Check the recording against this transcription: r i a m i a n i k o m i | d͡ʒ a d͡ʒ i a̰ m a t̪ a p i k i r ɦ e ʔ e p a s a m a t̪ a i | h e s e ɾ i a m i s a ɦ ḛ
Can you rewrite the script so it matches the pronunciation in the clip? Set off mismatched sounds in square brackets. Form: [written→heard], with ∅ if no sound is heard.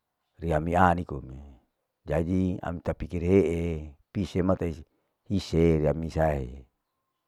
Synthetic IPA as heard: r i a m i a n i k o m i | d͡ʒ a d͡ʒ i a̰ m [a→i] t̪ a p i k i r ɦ e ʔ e p [a→i] s [a→e] m a t̪ a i | h [e→i] s e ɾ i a m i s a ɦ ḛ